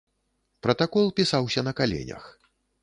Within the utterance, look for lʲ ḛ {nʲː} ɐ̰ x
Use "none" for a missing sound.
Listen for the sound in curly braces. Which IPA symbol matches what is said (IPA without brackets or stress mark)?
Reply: nʲ